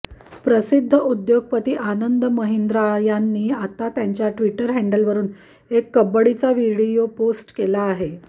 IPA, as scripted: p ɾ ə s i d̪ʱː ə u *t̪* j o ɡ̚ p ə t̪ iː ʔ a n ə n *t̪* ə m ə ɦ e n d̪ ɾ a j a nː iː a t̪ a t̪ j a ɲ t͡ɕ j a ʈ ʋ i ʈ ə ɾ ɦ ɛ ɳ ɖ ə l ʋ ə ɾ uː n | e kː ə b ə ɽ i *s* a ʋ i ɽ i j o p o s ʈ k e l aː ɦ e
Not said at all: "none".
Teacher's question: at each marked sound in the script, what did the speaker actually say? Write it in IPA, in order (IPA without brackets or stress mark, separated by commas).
d̪, d̪, t͡s